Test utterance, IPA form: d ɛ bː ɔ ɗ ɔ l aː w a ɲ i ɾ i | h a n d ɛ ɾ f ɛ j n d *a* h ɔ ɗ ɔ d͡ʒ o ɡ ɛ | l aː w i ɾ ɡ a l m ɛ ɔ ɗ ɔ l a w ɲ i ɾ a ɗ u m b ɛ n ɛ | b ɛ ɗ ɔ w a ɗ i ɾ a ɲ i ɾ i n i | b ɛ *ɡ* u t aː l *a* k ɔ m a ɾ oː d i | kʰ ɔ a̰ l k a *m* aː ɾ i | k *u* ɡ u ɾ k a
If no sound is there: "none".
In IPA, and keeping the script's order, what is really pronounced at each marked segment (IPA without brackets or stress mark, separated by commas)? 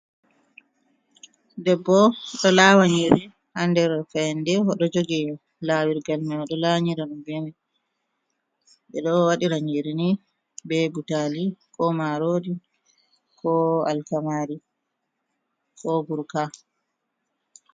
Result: ɛ, b, i, m, ɔ